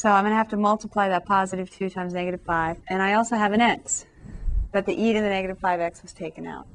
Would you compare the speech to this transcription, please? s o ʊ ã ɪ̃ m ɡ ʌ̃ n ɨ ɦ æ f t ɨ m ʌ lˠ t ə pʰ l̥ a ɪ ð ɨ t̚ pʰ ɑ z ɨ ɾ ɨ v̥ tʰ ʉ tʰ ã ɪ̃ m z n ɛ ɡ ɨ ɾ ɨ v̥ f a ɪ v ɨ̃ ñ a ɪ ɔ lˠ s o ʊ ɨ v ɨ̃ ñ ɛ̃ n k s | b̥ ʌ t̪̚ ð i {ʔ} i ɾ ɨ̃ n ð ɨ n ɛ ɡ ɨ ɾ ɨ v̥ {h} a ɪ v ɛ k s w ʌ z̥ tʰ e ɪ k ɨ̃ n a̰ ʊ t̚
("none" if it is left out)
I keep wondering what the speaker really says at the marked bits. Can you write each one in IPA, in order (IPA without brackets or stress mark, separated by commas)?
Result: ʔ, f